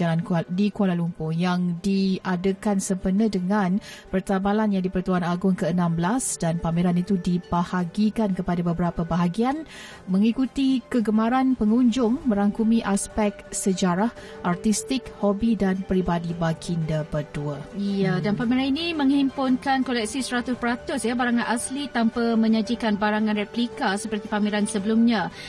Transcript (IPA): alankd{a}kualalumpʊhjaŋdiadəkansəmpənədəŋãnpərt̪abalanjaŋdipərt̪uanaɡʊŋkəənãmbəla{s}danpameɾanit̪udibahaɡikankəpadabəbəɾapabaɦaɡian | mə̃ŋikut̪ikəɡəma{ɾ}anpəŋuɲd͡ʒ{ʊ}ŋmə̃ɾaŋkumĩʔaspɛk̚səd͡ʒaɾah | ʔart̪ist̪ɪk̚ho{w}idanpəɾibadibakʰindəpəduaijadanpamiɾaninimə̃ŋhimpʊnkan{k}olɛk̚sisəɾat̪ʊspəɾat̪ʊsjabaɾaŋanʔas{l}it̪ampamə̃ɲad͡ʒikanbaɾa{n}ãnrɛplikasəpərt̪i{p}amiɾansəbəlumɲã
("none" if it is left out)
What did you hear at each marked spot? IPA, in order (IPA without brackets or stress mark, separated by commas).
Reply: i, s, ɾ, ʊ, b, k, l, ŋ, p